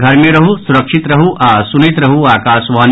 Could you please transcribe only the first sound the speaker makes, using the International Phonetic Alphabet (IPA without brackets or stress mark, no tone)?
ɡʱ